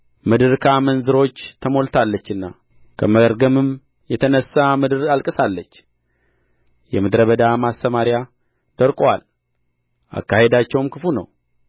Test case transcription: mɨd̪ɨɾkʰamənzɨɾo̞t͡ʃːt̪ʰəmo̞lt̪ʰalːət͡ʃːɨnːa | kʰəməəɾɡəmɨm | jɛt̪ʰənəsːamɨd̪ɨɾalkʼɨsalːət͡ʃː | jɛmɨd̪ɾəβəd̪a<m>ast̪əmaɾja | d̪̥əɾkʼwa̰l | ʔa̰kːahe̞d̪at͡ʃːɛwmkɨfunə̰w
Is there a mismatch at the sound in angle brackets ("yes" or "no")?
no